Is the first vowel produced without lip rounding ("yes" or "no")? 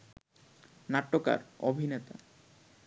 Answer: yes